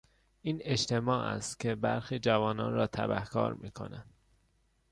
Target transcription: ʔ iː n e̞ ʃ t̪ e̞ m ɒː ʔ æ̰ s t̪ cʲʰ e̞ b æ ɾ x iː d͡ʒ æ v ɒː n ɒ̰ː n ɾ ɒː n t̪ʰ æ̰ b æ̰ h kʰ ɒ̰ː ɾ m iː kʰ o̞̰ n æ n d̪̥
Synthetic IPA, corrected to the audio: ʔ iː n e̞ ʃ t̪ e̞ m ɒː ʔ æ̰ s t̪ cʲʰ e̞ b æ ɾ x iː d͡ʒ æ v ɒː n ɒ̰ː n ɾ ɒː t̪ʰ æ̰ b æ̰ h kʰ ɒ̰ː ɾ m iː kʰ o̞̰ n æ n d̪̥